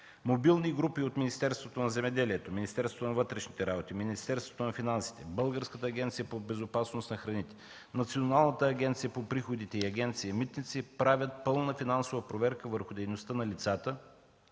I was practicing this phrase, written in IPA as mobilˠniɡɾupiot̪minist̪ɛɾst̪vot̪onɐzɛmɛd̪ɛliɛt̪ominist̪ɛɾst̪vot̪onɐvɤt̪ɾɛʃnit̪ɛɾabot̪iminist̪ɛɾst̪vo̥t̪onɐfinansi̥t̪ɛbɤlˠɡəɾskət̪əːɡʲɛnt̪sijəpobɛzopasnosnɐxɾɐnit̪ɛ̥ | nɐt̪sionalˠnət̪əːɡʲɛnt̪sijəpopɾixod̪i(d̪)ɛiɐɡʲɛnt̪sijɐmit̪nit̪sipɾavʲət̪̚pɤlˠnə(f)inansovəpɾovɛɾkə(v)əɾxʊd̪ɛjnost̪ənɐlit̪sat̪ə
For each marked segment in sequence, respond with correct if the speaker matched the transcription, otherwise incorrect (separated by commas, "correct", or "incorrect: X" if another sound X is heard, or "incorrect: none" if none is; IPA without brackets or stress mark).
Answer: incorrect: t̪, correct, correct